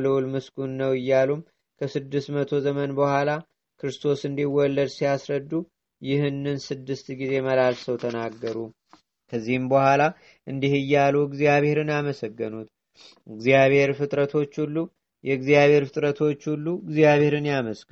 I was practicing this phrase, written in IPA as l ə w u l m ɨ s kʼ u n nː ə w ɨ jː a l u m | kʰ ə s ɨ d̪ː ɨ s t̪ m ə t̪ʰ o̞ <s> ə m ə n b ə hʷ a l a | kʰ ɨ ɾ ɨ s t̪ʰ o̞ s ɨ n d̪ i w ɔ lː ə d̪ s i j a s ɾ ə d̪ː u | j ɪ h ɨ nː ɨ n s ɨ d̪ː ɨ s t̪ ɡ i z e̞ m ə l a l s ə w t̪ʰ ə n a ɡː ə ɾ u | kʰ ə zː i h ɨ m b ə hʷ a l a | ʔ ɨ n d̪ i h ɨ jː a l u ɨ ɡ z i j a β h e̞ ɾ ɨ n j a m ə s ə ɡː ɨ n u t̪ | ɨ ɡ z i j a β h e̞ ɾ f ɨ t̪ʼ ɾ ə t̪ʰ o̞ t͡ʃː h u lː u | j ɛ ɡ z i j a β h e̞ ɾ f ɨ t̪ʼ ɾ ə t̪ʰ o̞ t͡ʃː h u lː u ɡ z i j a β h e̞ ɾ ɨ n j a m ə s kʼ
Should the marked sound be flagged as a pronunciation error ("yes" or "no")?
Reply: yes